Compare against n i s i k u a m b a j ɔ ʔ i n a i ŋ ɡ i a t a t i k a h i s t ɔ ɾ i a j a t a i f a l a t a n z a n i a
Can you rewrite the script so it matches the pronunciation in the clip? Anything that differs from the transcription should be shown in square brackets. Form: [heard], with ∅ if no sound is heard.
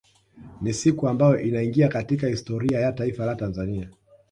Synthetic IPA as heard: n i s i k u a m b a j ɔ ʔ i n a i ŋ ɡ i a [k] a t i k a h i s t ɔ ɾ i a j a t a i f a l a t a n z a n i a